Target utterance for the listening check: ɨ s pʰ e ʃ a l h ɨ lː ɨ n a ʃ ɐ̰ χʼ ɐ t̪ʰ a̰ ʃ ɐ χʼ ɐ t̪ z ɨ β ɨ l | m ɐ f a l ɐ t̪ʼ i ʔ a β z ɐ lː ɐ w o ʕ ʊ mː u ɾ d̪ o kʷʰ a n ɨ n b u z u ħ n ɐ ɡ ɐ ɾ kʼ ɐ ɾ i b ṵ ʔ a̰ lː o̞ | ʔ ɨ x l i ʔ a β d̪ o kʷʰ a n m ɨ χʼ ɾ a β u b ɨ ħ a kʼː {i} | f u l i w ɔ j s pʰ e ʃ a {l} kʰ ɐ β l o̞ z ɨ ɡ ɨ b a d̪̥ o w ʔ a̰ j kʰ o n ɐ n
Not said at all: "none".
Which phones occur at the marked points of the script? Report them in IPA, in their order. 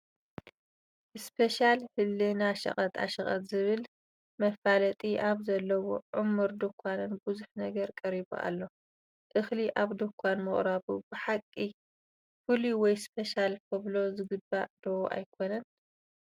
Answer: i, l

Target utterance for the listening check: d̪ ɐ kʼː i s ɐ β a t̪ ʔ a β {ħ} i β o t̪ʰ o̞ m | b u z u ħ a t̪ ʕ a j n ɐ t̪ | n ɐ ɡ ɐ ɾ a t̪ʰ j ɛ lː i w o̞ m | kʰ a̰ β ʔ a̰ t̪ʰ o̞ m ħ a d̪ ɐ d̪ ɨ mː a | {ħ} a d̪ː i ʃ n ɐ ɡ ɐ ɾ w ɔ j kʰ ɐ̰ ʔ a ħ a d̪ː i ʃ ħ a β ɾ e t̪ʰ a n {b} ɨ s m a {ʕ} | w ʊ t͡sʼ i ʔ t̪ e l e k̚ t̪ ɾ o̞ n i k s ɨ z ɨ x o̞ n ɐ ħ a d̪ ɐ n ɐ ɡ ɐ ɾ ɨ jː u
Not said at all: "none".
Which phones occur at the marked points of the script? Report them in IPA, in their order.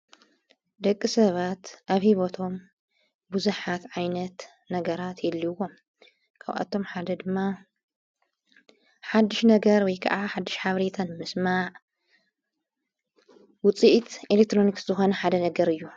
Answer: h, ħ, m, ʕ

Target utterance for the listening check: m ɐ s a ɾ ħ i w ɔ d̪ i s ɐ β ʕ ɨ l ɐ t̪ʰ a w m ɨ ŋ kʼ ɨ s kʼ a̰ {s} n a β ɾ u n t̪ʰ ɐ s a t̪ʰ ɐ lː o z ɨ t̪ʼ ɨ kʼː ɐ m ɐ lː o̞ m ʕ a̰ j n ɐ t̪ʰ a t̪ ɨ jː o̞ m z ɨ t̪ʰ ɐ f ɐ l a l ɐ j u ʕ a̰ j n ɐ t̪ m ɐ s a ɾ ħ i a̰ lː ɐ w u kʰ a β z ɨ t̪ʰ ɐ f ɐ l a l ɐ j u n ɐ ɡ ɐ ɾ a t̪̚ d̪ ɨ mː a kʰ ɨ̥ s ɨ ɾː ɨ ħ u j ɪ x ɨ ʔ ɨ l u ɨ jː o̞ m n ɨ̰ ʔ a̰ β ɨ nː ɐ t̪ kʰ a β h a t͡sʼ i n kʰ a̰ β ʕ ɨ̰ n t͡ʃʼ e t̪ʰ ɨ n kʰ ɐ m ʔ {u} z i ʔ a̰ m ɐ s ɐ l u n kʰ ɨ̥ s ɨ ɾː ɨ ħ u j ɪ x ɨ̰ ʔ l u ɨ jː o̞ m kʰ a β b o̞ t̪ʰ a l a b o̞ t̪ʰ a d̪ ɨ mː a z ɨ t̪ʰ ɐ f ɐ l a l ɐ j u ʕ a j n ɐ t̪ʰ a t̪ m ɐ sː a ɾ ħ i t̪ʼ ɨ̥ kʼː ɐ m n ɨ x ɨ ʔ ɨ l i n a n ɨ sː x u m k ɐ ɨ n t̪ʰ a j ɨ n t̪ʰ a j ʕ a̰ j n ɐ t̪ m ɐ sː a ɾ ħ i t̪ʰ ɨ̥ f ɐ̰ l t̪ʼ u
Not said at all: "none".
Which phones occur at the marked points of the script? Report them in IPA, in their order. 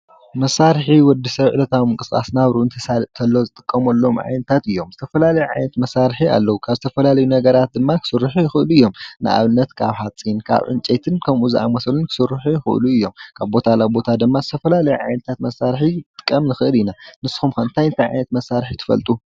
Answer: s, u

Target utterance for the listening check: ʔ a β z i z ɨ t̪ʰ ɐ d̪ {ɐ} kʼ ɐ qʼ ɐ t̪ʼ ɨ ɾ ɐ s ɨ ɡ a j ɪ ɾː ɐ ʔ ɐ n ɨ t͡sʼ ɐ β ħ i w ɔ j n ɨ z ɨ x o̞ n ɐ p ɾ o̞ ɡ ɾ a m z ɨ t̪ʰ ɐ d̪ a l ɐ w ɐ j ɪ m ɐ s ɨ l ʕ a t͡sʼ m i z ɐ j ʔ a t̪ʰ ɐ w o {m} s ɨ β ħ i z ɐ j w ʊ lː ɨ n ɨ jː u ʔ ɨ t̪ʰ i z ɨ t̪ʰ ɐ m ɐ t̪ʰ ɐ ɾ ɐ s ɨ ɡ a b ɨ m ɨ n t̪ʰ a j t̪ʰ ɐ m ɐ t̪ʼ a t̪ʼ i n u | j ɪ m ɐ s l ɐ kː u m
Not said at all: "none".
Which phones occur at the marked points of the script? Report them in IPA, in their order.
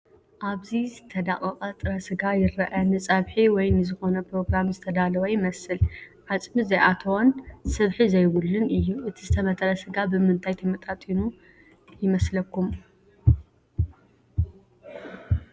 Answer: a, n

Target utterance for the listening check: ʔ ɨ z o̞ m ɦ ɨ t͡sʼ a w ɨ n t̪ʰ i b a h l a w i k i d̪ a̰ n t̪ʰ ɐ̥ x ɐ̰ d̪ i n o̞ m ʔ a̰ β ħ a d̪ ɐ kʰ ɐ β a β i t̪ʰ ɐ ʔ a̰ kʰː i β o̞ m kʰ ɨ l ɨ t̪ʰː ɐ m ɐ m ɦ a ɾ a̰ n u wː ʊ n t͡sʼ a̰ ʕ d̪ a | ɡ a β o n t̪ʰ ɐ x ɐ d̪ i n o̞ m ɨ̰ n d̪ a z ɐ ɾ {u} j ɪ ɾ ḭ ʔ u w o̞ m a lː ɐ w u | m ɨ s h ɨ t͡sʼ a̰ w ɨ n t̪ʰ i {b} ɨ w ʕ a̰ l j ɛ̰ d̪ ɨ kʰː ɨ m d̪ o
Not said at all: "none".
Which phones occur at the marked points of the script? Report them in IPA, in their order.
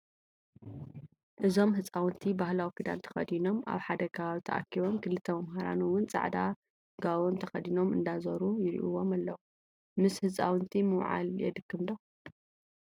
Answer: u, m

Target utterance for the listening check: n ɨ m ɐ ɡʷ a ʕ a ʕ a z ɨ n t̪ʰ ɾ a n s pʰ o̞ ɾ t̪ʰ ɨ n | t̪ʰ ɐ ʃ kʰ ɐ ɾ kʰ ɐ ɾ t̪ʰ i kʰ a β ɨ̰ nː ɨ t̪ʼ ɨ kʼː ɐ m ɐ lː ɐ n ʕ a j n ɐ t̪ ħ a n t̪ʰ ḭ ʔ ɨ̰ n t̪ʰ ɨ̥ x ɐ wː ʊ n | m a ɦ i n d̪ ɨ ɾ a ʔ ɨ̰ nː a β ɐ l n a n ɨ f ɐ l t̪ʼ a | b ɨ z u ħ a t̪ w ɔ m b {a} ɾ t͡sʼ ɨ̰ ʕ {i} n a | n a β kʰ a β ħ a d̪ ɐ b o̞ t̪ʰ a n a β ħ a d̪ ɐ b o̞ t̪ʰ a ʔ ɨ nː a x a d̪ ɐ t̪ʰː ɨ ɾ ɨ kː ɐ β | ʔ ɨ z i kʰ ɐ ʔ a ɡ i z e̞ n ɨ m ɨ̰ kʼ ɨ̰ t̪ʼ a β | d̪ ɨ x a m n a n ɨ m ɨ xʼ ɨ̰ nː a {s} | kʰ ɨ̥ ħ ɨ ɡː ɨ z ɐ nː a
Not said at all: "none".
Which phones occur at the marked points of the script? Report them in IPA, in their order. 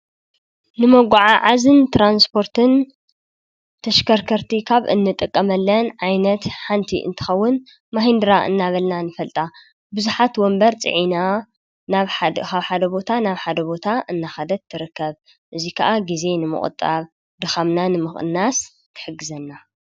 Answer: ɐ, i, s

